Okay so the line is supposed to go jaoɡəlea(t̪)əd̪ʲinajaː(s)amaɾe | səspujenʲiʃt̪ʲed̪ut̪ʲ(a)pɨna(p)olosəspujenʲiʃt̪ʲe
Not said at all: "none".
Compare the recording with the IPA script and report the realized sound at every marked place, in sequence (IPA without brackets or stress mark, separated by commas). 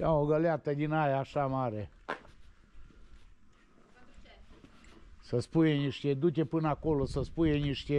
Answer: t̪, ʃ, e, k